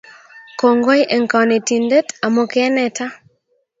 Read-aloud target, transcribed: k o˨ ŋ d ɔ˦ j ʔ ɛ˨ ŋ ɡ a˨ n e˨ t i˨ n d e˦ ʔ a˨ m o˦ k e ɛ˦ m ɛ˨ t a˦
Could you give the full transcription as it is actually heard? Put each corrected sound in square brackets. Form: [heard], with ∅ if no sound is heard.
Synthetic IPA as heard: k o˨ ŋ [ɡ] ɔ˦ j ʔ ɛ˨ ŋ [k] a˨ n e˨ t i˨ n d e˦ [t] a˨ m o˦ k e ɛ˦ [n] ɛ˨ t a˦